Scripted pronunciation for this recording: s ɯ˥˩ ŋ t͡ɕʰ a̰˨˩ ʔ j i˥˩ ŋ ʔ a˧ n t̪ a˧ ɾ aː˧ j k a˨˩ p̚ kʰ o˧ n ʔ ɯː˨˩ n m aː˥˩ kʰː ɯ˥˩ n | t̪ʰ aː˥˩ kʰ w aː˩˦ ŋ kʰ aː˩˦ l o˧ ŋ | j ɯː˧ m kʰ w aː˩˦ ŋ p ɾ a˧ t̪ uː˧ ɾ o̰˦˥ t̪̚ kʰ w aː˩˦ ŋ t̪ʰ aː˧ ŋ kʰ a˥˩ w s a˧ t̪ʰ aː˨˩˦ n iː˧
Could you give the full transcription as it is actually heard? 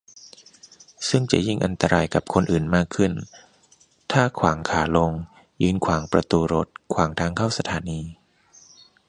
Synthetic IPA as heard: s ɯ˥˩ ŋ t͡ɕ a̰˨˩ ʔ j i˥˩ ŋ ʔ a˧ n t̪ a˧ ɾ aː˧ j k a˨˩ p̚ kʰ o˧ n ʔ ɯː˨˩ n m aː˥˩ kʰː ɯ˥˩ n | t̪ʰ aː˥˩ kʰ w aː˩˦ ŋ kʰ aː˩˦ l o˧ ŋ | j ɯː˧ n kʰ w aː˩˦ ŋ p ɾ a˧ t̪ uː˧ ɾ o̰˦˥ t̪̚ kʰ w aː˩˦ ŋ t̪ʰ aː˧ ŋ kʰ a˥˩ w s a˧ t̪ʰ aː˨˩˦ n iː˧